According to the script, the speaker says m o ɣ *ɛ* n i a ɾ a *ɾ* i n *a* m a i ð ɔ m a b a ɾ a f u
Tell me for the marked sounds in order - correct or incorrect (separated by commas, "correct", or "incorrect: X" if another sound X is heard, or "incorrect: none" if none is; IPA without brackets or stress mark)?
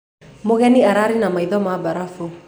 correct, correct, correct